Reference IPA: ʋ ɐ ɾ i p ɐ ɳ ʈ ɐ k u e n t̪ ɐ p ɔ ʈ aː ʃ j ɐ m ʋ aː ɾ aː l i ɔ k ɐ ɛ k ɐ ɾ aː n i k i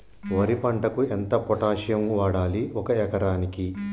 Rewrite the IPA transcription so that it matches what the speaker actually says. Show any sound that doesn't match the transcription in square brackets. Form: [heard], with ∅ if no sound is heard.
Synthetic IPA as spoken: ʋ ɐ ɾ i p ɐ ɳ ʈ ɐ k u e n t̪ ɐ p ɔ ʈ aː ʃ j ɐ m ʋ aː [ɽ] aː l i ɔ k ɐ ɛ k ɐ ɾ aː n i k i